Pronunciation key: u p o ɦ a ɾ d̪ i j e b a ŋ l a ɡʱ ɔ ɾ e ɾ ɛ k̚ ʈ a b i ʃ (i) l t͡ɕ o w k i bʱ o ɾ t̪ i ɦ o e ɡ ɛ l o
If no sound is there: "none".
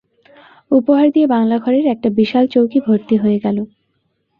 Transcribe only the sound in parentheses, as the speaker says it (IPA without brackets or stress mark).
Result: a